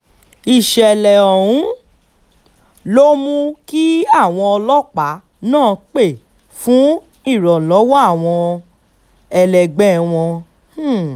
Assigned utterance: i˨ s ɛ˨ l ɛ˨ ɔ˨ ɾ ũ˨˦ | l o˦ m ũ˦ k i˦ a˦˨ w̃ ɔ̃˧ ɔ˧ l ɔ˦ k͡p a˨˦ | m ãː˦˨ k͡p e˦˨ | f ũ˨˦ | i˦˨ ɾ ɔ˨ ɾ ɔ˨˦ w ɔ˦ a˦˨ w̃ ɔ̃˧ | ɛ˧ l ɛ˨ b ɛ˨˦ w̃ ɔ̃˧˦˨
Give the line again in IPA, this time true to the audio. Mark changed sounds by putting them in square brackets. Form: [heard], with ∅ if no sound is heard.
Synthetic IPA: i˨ [ʃ] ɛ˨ l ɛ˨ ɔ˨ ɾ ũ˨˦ | l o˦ m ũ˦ k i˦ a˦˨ w̃ ɔ̃˧ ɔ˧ l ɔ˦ k͡p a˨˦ | [n] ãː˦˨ k͡p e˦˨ | f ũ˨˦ | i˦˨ ɾ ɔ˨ [l] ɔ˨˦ w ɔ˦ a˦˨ w̃ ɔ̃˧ | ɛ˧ l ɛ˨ [ɡ͡b] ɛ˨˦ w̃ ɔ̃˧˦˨